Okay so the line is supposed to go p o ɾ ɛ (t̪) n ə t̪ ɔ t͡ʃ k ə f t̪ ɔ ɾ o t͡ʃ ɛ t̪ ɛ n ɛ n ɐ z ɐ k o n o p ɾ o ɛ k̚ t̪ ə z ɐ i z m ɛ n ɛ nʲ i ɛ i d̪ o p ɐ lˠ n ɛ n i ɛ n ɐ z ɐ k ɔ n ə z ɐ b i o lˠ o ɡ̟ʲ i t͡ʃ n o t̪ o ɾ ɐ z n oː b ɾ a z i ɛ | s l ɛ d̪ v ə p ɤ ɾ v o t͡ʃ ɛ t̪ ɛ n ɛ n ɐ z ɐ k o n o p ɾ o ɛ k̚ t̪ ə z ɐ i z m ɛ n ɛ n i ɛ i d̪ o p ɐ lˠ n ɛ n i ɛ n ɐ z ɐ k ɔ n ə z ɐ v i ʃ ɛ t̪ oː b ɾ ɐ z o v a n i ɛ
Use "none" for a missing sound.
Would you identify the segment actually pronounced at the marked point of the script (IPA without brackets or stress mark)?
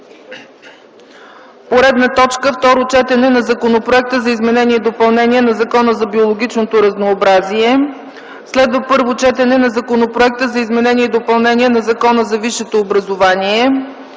d̪